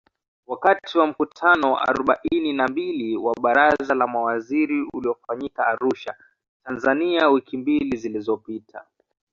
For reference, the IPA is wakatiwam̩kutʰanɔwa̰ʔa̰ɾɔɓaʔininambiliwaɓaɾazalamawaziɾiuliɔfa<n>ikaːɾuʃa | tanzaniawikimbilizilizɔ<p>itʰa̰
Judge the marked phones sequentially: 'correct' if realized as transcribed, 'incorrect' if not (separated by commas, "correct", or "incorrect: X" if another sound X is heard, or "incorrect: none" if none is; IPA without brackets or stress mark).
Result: incorrect: ɲ, correct